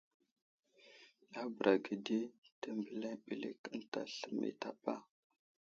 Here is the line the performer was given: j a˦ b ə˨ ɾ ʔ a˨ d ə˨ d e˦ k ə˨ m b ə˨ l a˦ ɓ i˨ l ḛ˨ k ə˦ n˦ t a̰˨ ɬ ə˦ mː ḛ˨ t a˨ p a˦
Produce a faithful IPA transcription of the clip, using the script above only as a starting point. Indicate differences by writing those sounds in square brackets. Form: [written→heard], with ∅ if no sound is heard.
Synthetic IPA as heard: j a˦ b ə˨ ɾ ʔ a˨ [d→ɡ] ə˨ d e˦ [k→t] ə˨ m b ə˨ l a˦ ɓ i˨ l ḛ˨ k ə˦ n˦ t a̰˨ ɬ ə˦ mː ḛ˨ t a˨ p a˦